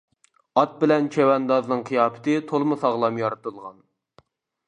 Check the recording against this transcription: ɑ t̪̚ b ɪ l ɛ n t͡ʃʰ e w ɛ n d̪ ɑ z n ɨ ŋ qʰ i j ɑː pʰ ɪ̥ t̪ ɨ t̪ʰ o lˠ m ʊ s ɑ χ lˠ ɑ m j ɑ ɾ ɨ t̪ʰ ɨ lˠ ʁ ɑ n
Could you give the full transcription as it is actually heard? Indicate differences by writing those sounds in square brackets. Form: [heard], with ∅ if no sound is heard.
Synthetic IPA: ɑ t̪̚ b ɪ l ɛ n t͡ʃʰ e w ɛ n d̪ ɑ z n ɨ ŋ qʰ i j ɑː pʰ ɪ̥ t̪ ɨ t̪ʰ o lˠ m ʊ s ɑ [ʁ] lˠ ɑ m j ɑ ɾ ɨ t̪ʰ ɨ lˠ ʁ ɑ n